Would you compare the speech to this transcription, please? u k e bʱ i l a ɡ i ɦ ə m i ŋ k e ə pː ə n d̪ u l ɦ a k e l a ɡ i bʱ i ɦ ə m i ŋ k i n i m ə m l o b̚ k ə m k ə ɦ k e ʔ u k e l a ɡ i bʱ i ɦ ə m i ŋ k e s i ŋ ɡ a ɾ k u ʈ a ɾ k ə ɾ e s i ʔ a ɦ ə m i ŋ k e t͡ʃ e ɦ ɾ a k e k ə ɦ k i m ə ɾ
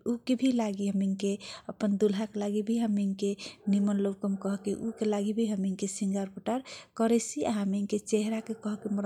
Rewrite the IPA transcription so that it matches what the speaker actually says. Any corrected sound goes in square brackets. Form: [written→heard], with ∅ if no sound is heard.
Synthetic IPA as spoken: u k e bʱ i l a ɡ i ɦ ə m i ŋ k e ə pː ə n d̪ u l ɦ a k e l a ɡ i bʱ i ɦ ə m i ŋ k [i→e] n i m ə [m→n] l o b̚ k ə m k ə ɦ k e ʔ u k e l a ɡ i bʱ i ɦ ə m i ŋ k e s i ŋ ɡ a ɾ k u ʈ a ɾ k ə ɾ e s i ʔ a ɦ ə m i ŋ k e t͡ʃ e ɦ ɾ a k e k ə ɦ k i m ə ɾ